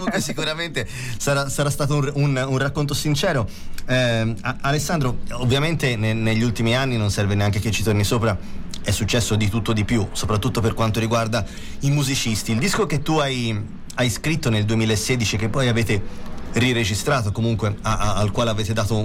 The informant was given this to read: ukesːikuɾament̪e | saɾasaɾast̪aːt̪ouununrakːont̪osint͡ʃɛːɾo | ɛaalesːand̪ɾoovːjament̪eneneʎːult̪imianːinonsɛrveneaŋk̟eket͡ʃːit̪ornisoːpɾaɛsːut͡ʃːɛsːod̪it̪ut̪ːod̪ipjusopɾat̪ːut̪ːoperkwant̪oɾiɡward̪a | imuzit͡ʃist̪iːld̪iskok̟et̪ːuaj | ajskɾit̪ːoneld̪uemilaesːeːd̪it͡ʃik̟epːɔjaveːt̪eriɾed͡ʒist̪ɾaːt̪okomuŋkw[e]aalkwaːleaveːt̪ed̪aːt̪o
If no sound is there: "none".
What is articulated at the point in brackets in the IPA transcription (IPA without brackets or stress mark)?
e